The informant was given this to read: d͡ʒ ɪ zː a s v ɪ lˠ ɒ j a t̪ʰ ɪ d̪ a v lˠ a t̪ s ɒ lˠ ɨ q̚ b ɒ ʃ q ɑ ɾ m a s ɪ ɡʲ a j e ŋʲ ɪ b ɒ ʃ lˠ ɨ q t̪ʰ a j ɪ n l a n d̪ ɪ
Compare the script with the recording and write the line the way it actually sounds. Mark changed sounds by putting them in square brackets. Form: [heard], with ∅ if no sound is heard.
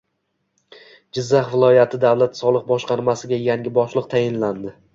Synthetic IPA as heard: d͡ʒ ɪ zː a [χ] v ɪ lˠ ɒ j a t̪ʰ ɪ d̪ a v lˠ a t̪ s ɒ lˠ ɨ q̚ b ɒ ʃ q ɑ ɾ m a s ɪ ɡʲ a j [a] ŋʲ ɪ b ɒ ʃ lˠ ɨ q t̪ʰ a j ɪ n l a n d̪ ɪ